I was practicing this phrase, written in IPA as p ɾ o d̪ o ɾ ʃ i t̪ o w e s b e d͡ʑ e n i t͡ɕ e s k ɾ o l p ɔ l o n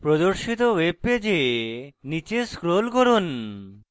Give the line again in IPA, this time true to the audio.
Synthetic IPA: p ɾ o d̪ o ɾ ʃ i t̪ o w e b e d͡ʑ e n i t͡ɕ e s k ɾ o l k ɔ ɾ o n